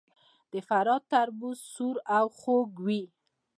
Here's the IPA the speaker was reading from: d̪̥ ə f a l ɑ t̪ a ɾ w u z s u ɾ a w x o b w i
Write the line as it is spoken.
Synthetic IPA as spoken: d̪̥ ə f a ɾ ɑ t̪ a ɾ b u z s u ɾ a w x o ɡ w i